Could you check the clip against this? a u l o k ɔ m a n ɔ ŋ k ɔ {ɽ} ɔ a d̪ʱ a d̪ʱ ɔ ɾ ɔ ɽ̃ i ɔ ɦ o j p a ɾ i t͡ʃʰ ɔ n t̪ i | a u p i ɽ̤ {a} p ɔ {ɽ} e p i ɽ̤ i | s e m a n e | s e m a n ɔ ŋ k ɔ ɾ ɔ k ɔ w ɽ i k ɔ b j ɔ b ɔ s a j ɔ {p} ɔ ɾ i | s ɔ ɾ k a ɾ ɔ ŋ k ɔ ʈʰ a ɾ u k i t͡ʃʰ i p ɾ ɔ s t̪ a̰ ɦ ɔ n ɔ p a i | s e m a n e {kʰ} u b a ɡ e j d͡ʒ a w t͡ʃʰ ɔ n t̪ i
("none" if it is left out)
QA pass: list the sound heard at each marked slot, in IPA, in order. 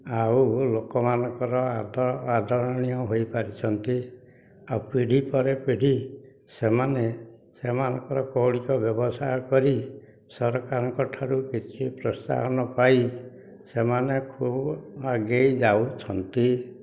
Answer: ɾ, i, ɾ, k, kʰ

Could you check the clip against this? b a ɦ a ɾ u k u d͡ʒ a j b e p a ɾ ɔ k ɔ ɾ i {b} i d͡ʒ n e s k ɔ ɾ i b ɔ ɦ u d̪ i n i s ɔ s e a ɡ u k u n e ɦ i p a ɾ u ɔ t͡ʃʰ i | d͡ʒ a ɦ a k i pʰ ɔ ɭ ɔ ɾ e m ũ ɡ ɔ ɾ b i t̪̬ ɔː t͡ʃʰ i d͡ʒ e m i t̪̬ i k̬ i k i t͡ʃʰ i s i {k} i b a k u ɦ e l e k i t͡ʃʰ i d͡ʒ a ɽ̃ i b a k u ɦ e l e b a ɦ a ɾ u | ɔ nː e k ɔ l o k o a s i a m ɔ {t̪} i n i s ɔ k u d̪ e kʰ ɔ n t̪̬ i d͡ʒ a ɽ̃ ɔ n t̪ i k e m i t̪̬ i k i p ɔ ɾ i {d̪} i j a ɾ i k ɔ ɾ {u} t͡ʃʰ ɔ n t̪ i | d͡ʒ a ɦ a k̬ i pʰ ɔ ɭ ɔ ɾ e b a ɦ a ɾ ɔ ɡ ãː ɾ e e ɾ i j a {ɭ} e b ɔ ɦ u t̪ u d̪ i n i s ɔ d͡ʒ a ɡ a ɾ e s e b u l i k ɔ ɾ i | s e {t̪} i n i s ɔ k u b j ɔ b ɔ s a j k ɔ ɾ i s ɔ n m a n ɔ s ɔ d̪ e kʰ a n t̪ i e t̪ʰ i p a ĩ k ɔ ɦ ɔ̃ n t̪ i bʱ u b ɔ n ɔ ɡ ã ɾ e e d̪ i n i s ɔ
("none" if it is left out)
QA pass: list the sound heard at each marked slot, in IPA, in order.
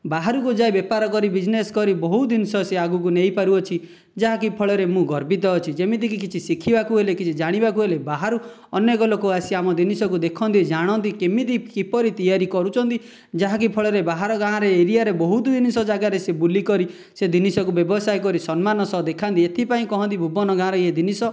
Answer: b, kʰ, d̪, t̪, u, ɾ, d̪

